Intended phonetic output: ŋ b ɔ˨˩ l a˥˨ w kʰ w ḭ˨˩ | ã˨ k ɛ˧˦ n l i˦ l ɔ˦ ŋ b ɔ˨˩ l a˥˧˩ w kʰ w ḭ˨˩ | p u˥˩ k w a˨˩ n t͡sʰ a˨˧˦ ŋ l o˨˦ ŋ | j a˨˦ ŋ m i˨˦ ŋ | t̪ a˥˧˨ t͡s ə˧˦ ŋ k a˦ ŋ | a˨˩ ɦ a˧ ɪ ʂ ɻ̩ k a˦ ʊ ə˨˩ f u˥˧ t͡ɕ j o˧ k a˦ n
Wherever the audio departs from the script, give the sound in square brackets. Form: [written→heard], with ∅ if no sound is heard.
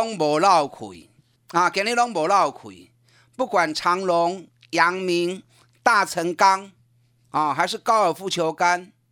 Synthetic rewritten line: ŋ b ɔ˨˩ l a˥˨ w kʰ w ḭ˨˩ | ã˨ k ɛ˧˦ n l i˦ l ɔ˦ ŋ b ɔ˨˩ l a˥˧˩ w kʰ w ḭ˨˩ | p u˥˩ k w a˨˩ n t͡sʰ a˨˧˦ ŋ l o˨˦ ŋ | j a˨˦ ŋ m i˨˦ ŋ | t̪ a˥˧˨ [t͡s→t͡sʰ] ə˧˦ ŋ k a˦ ŋ | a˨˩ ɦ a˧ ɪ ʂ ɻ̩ k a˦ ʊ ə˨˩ f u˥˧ [t͡ɕ→t͡ɕʰ] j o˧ k a˦ n